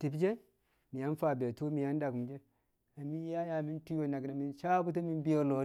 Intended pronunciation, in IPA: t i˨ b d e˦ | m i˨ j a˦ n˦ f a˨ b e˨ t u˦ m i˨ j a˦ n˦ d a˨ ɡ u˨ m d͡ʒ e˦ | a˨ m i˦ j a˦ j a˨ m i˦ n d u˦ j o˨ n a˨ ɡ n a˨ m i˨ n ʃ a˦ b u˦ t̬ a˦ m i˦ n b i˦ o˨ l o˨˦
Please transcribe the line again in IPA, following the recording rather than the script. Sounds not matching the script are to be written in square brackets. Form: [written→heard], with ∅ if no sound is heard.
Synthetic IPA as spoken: t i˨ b [d→d͡ʒ] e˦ | m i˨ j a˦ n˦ f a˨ b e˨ t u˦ m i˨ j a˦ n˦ d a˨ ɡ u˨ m d͡ʒ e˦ | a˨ m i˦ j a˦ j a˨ m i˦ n [d→t] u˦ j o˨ n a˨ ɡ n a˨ m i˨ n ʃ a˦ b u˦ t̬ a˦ m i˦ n b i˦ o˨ l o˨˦